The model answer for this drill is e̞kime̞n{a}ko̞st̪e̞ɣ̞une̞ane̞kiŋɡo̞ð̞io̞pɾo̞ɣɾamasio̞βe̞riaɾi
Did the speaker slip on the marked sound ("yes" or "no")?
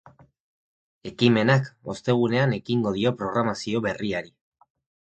no